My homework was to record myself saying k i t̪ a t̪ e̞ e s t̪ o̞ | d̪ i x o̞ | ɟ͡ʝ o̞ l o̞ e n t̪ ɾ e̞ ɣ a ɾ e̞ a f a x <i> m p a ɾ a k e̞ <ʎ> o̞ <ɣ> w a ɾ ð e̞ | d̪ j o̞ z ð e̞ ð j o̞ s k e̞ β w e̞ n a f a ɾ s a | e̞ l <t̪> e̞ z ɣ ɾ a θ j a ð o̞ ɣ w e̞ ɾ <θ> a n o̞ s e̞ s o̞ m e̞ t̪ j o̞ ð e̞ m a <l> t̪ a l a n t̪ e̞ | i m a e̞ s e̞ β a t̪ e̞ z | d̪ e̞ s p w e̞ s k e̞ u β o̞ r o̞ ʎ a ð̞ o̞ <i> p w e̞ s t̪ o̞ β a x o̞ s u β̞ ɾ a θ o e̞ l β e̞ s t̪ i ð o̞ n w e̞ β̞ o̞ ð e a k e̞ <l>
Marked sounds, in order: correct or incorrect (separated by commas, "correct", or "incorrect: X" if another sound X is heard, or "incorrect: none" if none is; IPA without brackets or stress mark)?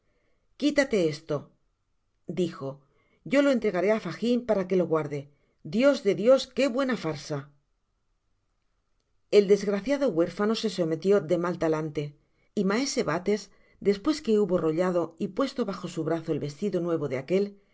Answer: correct, incorrect: l, correct, incorrect: d̪, incorrect: f, correct, correct, correct